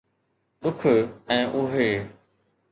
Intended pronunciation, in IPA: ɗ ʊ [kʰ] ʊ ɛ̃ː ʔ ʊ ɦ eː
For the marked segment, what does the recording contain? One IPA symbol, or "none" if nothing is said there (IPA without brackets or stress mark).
kʰ